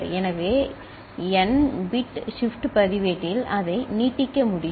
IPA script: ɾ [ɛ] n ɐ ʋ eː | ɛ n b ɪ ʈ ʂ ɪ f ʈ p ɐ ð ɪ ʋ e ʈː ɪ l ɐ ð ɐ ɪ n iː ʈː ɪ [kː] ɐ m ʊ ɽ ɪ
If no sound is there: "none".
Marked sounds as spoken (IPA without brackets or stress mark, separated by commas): ɛ, kː